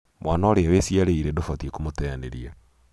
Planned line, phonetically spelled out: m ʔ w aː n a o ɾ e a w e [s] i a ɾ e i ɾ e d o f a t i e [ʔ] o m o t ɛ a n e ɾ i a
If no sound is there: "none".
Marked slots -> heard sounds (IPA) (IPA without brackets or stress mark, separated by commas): s, k